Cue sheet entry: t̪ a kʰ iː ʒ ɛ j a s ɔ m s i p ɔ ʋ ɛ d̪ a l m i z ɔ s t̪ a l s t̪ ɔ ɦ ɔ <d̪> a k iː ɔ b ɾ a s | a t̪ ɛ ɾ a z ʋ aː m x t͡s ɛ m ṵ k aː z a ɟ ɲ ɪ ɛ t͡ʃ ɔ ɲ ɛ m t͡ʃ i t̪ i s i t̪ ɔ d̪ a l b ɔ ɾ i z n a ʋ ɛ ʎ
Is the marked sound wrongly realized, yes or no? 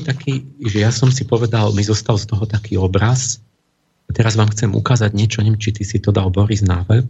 yes